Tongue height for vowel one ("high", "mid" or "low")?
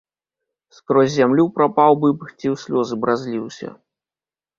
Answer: mid